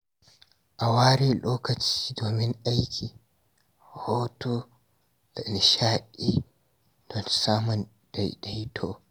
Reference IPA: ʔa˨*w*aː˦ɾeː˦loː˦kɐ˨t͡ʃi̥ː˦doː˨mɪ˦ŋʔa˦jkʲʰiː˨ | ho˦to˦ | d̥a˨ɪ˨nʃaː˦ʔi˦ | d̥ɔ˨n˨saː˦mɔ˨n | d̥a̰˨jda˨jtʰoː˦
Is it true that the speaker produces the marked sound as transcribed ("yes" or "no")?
yes